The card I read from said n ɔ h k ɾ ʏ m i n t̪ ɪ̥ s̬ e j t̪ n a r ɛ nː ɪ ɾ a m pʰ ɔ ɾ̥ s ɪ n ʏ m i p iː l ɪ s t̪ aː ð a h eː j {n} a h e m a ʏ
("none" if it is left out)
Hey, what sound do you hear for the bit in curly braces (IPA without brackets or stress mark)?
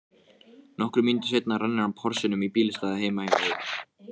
m